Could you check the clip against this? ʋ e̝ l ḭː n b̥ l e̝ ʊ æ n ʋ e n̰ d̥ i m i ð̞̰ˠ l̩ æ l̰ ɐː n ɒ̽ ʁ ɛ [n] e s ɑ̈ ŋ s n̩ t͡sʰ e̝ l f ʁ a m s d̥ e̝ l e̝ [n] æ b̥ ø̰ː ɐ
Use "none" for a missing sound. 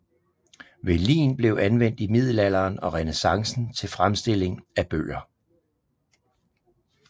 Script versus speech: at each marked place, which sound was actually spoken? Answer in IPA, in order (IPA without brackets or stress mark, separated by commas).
n, ŋ